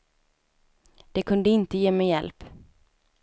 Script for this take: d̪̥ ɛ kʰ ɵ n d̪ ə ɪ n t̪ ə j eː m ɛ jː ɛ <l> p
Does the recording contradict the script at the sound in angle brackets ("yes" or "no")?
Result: no